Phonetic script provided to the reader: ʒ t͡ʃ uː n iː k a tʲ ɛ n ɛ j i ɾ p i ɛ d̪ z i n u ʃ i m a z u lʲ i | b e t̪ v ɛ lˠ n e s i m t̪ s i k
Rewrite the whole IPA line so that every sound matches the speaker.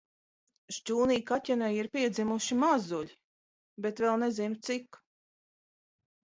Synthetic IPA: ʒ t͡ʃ uː n iː k a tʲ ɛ n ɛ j i ɾ p i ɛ d̪ z i m u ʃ i m a z u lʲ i | b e t̪ v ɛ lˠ n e z i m t̪ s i k